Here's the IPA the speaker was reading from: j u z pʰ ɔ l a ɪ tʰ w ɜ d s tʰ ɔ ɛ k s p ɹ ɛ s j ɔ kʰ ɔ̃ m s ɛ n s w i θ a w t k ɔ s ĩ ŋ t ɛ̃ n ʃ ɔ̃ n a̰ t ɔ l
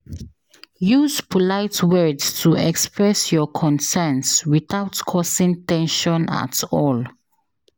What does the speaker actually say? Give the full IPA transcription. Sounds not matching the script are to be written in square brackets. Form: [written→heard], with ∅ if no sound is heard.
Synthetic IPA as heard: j u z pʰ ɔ l a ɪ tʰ w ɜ d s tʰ [ɔ→u] ɛ k s p ɹ ɛ s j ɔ kʰ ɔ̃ [m→n] s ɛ n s w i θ a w t [k→kʰ] ɔ s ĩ ŋ t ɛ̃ n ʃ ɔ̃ n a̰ t ɔ l